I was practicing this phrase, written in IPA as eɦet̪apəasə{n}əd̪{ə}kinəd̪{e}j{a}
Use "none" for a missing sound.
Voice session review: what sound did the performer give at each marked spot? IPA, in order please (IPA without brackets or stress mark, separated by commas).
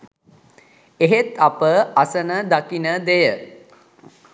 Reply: n, a, e, ə